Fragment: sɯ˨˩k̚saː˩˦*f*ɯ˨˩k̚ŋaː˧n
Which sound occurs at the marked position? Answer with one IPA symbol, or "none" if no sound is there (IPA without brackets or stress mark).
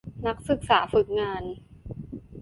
f